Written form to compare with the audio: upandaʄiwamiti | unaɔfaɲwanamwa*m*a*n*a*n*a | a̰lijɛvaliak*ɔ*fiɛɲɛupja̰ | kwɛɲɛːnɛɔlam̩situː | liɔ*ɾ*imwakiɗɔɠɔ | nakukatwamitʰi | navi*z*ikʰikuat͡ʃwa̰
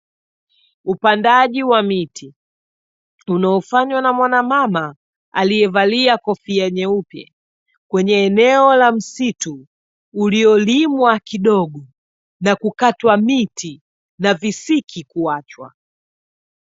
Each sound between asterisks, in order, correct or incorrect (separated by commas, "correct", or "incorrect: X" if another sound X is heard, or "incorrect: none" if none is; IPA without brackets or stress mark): incorrect: n, incorrect: m, incorrect: m, correct, incorrect: l, incorrect: s